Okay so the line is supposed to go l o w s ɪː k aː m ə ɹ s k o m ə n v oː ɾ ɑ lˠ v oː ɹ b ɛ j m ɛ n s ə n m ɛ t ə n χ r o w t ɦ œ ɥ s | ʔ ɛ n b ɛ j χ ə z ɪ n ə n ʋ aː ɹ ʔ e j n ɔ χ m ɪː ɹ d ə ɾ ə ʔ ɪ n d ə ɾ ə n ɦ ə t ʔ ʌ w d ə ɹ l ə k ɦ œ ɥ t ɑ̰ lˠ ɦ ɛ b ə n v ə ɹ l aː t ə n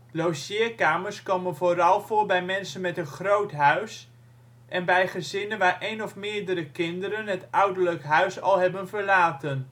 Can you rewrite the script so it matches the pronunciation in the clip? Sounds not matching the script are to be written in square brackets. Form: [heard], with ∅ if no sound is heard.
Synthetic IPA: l o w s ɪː k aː m ə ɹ s k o m ə n v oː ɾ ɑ lˠ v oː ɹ b ɛ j m ɛ n s ə n m ɛ t ə n χ r o w t ɦ œ ɥ s | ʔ ɛ n b ɛ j χ ə z ɪ n ə n ʋ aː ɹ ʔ e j n ɔ [f] m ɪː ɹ d ə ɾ ə [k] ɪ n d ə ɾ ə n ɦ ə t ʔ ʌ w d ə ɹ l ə k ɦ œ ɥ [s] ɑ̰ lˠ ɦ ɛ b ə n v ə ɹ l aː t ə n